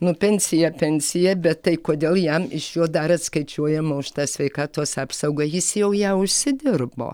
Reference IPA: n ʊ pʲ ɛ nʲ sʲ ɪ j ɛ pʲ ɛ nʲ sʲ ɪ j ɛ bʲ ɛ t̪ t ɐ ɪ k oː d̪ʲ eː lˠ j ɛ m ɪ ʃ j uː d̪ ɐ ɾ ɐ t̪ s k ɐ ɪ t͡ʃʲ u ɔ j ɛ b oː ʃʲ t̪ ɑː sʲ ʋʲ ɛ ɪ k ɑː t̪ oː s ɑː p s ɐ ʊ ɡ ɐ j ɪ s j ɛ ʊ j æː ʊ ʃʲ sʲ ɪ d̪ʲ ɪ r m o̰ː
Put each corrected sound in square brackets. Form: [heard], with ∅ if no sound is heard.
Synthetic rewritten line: n ʊ pʲ ɛ nʲ sʲ ɪ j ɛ pʲ ɛ nʲ sʲ ɪ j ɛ bʲ ɛ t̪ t ɐ ɪ k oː d̪ʲ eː lˠ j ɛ m ɪ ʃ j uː d̪ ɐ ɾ ɐ t̪ s k ɐ ɪ t͡ʃʲ u ɔ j ɛ [m] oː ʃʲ t̪ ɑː sʲ ʋʲ ɛ ɪ k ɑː t̪ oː s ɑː p s ɐ ʊ ɡ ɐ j ɪ s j ɛ ʊ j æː ʊ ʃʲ sʲ ɪ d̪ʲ ɪ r [b] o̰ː